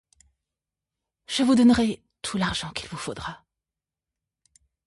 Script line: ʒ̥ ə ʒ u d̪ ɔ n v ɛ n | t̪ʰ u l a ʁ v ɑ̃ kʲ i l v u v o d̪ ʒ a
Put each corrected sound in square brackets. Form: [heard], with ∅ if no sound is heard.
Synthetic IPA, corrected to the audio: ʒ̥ ə [v] u d̪ ɔ n [ʁ] ɛ [∅] | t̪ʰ u l a ʁ [ʒ] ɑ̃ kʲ i l v u [f] o d̪ [ʁ] a